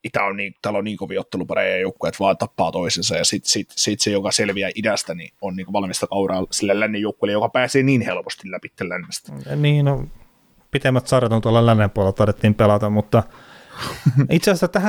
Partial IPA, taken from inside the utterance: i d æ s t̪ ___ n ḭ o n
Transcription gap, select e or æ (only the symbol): æ